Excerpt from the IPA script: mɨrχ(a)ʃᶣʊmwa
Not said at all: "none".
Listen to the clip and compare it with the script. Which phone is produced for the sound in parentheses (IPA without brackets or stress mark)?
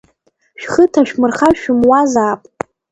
a